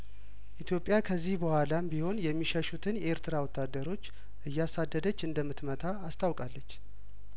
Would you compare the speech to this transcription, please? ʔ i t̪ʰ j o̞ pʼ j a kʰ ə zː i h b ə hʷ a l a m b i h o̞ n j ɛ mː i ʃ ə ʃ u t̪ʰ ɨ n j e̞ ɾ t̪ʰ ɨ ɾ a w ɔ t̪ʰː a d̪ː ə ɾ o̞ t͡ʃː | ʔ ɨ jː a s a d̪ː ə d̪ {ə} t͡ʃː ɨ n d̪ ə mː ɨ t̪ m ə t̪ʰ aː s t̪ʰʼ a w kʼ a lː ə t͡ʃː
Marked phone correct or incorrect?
correct